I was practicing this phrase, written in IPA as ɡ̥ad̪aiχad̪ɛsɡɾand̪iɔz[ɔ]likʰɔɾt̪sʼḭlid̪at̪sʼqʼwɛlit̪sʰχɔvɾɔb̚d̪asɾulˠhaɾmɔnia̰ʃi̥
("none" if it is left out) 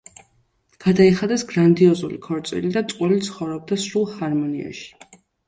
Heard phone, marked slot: u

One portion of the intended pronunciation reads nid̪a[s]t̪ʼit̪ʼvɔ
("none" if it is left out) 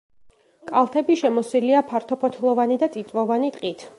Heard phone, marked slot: none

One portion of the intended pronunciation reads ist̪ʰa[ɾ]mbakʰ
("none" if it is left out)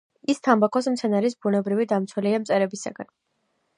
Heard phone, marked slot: none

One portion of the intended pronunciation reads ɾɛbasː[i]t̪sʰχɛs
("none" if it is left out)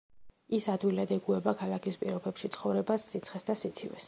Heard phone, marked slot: i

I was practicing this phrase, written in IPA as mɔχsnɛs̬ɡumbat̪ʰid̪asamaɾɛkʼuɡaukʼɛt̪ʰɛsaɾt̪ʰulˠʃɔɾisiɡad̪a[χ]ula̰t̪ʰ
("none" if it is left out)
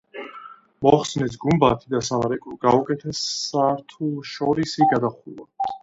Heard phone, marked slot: χ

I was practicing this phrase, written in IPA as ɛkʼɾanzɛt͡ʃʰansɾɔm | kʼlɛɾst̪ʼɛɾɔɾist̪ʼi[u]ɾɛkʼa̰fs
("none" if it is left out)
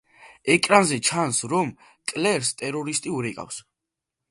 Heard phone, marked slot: u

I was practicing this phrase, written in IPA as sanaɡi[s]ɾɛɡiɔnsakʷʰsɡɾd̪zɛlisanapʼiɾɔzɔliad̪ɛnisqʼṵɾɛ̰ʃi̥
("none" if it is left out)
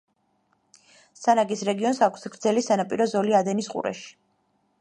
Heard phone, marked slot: s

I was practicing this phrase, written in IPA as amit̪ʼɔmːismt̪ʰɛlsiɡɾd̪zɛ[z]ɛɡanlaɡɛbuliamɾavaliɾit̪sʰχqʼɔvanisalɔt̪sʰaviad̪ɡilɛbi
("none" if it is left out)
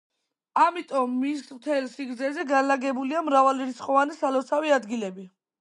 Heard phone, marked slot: z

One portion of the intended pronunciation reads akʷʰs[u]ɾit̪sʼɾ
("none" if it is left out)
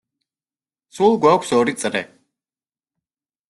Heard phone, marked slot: ɔ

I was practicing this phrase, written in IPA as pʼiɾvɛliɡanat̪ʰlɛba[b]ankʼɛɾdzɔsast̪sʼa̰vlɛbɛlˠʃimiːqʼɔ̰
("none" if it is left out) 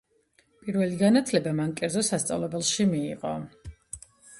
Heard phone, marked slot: m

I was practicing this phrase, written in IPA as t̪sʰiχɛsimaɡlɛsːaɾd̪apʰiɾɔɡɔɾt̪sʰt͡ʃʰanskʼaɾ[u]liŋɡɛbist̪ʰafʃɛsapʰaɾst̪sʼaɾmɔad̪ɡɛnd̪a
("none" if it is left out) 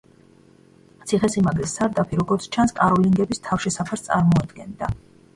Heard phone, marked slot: ɔ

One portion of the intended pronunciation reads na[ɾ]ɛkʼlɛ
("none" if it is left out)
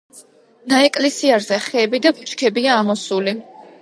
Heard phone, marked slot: none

